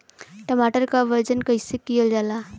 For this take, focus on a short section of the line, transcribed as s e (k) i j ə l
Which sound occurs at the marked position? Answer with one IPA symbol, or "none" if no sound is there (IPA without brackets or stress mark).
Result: k